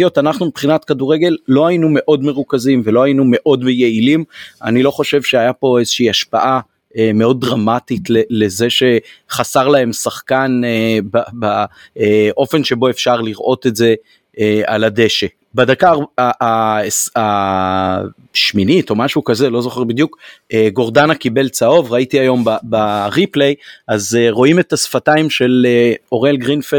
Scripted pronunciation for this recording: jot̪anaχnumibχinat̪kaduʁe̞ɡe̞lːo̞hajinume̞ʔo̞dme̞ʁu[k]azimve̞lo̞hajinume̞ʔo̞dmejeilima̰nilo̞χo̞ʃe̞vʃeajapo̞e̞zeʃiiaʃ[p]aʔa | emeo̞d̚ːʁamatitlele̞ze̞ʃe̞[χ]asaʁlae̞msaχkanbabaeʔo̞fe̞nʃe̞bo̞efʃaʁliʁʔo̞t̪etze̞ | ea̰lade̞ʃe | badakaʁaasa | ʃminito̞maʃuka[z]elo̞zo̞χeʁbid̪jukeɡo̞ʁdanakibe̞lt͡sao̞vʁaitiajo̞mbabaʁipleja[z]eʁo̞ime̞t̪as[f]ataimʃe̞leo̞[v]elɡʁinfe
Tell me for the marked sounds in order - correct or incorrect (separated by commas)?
correct, correct, correct, correct, correct, correct, incorrect